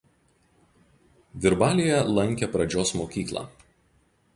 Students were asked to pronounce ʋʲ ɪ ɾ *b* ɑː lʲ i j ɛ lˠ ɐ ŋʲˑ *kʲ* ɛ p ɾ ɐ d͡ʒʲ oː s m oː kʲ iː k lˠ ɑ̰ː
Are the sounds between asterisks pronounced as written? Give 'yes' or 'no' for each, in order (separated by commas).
yes, yes